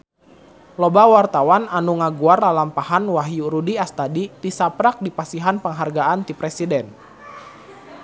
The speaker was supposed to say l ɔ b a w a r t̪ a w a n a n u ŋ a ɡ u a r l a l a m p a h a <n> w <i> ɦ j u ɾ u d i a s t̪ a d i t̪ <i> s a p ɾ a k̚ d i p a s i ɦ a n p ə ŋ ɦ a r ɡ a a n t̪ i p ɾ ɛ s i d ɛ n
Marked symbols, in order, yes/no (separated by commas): yes, no, yes